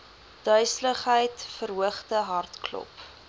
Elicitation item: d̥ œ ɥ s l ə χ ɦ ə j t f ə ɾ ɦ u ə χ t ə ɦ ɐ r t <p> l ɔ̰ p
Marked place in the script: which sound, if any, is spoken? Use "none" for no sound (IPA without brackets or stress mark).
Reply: k